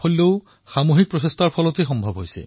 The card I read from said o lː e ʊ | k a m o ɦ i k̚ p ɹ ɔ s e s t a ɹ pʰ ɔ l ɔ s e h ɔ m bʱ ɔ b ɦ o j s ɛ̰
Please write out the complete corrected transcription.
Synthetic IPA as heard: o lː e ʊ | x a m o ɦ i k̚ p ɹ ɔ s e s t a ɹ pʰ ɔ l ɔ t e x ɔ m bʱ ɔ b ɦ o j s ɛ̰